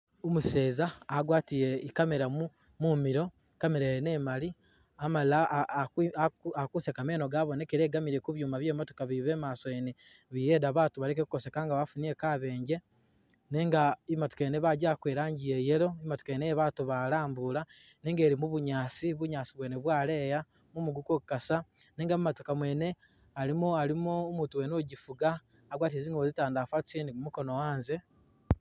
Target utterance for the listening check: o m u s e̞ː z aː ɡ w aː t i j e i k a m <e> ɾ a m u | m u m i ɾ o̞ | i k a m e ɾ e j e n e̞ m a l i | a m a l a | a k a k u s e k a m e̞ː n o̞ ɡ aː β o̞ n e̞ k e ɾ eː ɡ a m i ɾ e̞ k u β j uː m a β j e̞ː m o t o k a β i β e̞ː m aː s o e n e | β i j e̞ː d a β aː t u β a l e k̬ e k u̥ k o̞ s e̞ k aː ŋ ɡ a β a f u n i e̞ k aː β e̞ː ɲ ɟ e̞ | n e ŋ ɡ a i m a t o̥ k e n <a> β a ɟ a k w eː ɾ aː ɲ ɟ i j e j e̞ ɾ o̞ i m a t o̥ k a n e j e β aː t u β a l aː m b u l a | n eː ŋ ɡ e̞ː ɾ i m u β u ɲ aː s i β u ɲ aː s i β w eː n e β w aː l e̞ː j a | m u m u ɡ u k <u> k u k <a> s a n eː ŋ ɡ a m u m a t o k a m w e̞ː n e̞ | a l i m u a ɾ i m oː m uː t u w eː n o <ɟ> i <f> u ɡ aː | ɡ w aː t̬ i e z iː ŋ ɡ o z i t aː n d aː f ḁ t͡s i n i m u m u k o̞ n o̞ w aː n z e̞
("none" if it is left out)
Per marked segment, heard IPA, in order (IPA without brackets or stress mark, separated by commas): e, e, o, a, ɟ, f